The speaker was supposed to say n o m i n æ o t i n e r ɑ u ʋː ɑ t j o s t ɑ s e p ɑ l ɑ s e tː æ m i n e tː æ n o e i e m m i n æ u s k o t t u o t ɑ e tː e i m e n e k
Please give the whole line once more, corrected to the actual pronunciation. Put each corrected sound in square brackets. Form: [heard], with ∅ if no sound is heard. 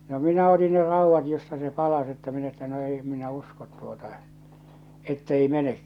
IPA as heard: n o m i n æ o t i n e r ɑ u ʋː ɑ t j o s t ɑ s e p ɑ l ɑ s e tː æ m i n e tː æ n o e i e m m i n æ u s k o t t u o t ɑ e tː e i m e n e k